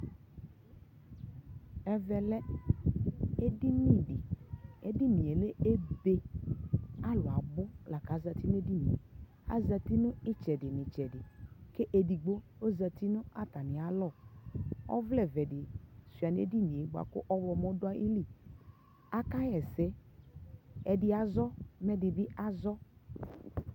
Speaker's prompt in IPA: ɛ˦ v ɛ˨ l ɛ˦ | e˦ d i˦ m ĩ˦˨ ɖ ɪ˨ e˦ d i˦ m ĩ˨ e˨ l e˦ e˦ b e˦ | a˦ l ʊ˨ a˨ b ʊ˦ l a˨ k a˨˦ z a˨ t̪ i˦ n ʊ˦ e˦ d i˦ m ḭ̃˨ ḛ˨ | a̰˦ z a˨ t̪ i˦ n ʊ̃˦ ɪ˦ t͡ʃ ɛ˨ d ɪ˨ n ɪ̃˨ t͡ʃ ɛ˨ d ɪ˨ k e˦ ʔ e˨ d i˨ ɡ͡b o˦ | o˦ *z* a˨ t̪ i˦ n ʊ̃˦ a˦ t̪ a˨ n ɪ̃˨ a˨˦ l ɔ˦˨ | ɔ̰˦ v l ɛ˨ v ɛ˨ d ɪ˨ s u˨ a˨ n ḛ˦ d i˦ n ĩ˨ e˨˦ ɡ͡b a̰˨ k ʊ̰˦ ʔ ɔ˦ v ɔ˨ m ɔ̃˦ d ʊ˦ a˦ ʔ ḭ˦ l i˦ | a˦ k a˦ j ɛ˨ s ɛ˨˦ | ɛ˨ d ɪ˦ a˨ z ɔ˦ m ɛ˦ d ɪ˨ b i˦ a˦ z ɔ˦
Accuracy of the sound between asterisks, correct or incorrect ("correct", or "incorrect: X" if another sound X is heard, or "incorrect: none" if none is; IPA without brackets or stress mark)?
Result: correct